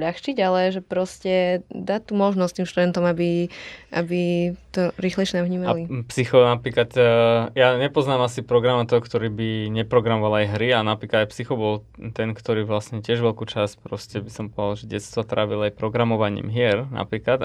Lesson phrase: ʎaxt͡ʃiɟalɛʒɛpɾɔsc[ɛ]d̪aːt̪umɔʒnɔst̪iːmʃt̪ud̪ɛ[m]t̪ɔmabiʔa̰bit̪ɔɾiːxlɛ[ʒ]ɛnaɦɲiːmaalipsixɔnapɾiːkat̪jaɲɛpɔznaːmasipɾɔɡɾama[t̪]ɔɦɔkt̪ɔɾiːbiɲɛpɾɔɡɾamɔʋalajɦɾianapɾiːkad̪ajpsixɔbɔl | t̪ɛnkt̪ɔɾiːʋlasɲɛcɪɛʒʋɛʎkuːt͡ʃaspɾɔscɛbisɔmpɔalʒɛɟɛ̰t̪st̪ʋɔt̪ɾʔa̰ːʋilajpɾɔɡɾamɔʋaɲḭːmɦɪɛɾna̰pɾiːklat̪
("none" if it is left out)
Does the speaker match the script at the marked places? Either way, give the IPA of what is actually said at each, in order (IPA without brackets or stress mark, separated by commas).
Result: ɛ, n, ʃ, t̪